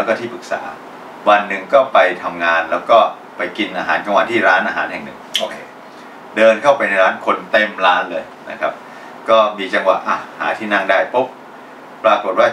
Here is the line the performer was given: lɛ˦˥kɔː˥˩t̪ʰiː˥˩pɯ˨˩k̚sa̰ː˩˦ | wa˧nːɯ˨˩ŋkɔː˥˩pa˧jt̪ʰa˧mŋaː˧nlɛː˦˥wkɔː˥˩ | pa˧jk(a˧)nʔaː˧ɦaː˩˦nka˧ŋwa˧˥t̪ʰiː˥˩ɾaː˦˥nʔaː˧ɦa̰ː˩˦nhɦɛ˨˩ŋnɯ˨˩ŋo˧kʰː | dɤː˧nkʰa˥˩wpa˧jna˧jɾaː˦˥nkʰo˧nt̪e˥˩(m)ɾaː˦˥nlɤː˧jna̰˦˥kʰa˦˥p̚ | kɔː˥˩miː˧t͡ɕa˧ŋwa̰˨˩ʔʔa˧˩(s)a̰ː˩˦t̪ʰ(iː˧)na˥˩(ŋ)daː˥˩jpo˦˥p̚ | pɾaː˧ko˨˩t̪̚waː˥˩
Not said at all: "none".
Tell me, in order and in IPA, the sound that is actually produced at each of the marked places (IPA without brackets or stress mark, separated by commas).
i˧, m, h, iː˥˩, ŋ